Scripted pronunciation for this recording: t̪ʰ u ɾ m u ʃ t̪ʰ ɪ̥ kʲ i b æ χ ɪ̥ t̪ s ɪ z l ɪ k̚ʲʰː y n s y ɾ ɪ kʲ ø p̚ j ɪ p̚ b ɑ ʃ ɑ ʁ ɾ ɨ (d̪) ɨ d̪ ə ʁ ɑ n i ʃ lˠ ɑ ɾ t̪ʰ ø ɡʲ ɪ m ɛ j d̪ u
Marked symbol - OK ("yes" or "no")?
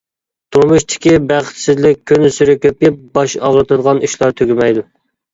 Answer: no